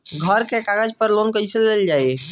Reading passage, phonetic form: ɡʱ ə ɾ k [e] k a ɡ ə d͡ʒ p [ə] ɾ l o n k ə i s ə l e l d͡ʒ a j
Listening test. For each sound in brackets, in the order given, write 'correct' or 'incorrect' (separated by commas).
correct, correct